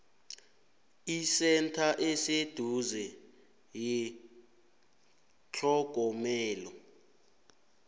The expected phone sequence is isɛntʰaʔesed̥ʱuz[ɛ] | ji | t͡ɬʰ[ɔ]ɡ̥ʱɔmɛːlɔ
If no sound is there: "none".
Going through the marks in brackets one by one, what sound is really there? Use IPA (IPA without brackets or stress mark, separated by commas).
ɛ, ɔ